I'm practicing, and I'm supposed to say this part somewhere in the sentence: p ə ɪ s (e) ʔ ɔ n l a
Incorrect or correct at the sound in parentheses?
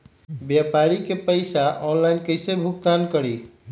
incorrect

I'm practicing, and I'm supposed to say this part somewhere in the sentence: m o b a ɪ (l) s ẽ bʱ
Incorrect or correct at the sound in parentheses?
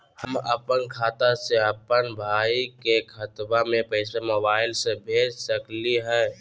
correct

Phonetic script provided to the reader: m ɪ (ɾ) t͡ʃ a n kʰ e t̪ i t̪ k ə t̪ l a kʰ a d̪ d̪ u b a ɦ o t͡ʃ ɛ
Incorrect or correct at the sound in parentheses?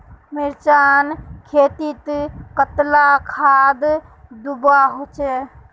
correct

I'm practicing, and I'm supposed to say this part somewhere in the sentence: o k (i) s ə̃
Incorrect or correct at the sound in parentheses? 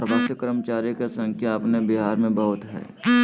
incorrect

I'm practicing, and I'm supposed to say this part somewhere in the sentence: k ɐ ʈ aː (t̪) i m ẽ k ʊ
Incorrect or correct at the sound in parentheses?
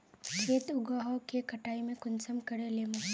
incorrect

